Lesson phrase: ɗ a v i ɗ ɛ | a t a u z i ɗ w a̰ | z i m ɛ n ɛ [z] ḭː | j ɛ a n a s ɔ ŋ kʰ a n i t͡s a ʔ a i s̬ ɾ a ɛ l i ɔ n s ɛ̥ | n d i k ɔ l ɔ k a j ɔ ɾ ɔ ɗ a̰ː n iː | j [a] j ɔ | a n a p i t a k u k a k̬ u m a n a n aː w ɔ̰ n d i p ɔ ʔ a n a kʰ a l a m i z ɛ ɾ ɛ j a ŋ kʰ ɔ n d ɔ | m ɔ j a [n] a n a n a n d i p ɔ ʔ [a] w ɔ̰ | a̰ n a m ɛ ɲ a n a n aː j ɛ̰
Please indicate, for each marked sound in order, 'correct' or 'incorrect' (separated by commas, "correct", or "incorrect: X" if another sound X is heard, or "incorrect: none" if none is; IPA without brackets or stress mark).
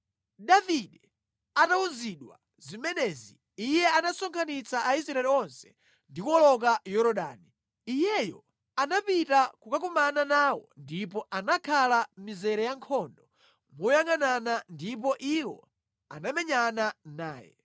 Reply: correct, incorrect: ɛ, incorrect: ŋ, incorrect: i